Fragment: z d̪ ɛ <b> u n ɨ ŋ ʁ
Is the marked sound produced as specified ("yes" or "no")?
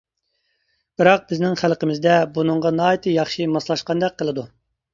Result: yes